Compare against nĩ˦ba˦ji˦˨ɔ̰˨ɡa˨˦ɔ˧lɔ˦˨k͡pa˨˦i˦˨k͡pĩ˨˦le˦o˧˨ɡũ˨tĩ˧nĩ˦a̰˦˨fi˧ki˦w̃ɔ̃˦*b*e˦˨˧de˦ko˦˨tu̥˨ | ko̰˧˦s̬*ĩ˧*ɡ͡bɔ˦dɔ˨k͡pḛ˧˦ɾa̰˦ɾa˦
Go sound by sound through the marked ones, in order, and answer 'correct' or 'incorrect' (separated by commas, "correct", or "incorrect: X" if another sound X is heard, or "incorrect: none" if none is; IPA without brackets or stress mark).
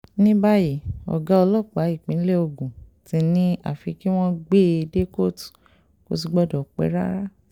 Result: incorrect: ɡ͡b, incorrect: i˧